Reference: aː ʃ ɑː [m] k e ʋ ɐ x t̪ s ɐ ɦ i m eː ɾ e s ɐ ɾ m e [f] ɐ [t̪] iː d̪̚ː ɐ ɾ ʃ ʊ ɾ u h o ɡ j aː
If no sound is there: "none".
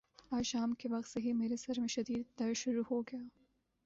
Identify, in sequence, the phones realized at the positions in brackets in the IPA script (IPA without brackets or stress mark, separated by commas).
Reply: m, ʃ, d̪